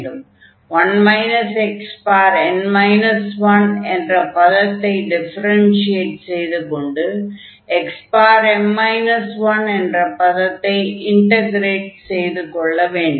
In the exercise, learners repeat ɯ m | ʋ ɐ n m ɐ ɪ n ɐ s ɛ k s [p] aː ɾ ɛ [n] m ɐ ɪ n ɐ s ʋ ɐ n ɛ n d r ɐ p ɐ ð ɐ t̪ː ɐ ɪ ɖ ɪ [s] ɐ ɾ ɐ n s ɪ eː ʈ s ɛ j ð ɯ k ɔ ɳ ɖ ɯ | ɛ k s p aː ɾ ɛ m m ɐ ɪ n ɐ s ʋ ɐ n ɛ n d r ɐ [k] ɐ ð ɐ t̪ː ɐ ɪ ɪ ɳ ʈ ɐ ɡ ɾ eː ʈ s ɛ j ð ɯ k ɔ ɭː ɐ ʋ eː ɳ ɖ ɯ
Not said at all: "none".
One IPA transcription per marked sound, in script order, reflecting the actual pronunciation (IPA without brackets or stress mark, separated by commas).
p, n, f, p